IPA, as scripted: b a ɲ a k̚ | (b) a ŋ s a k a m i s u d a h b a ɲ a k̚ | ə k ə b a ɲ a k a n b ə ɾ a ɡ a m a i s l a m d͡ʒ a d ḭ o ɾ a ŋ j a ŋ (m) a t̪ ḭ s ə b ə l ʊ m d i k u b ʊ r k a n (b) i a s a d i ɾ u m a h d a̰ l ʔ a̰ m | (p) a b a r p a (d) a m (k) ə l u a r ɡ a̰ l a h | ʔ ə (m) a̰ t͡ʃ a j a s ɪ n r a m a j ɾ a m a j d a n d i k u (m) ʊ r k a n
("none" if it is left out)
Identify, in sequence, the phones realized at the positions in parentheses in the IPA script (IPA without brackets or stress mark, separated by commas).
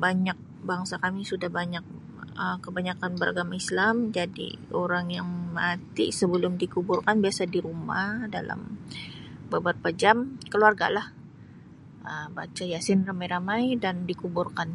b, m, b, b, d͡ʒ, k, b, b